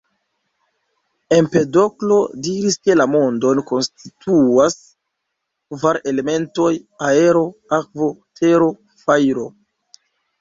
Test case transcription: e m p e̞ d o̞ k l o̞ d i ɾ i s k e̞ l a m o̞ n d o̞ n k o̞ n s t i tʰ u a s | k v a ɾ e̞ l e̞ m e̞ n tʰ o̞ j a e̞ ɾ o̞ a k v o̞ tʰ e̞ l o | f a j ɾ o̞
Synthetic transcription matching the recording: e m p e̞ d o̞ k l o̞ d i ɾ i s k e̞ l a m o̞ n d o̞ n k o̞ n s t i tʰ u a s | k v a ɾ e̞ l e̞ m e̞ n t o̞ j a e̞ ɾ o̞ a k v o̞ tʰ e̞ ɾ o | f a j ɾ o̞